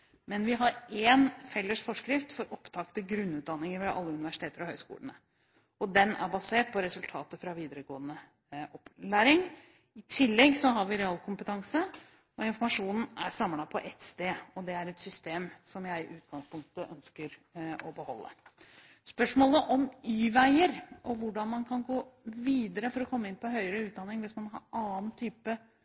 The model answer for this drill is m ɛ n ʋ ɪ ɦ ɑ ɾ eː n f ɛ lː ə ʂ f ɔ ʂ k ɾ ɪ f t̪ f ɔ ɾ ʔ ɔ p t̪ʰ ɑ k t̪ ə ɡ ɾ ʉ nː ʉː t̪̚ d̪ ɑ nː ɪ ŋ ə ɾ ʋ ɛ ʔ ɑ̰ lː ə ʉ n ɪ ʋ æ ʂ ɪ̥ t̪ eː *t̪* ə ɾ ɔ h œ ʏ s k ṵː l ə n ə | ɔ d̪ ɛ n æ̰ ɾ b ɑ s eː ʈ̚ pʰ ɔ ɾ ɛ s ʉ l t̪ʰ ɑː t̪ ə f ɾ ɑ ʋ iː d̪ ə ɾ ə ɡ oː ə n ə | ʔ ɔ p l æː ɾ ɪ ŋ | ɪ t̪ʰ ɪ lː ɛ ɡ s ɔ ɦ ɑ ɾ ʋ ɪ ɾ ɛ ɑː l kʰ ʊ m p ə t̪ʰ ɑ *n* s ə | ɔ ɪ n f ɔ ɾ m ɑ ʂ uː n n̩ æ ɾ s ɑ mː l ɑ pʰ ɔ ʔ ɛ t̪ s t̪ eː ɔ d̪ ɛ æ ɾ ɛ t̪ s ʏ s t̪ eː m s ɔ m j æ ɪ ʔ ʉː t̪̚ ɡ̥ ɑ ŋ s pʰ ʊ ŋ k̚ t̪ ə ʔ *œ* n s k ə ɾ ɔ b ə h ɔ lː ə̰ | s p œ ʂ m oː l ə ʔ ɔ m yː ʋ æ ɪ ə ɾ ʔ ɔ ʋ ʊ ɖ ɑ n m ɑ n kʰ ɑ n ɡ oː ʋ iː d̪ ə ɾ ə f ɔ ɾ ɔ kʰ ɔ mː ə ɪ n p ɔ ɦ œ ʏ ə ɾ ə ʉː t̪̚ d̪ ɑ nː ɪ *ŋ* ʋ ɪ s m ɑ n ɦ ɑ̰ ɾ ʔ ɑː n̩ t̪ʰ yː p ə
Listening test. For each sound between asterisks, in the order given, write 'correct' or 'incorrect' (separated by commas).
correct, incorrect, correct, correct